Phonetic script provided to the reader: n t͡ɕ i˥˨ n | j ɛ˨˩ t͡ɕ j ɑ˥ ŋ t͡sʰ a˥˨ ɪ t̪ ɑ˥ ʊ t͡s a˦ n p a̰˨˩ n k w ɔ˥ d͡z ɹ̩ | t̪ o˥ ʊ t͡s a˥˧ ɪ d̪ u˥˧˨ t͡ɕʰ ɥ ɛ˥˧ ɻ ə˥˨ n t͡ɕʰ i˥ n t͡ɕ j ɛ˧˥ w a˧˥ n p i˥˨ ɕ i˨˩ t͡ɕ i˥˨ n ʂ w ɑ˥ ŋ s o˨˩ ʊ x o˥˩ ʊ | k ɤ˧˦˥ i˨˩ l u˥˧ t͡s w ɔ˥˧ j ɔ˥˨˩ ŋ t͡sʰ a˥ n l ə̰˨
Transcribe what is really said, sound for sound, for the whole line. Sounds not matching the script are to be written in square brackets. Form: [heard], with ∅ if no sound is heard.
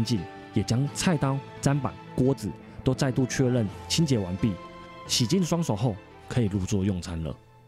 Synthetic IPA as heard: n t͡ɕ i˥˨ n | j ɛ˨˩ t͡ɕ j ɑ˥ ŋ t͡sʰ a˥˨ ɪ t̪ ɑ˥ ʊ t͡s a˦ n p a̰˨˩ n k w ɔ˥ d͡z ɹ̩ | t̪ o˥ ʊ t͡s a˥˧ ɪ [t̪] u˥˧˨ t͡ɕʰ ɥ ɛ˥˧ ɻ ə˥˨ n t͡ɕʰ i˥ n t͡ɕ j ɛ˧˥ w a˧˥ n p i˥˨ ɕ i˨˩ t͡ɕ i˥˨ n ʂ w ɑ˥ ŋ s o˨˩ ʊ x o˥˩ ʊ | [kʰ] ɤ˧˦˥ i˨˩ l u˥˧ t͡s w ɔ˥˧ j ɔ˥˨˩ ŋ t͡sʰ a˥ n l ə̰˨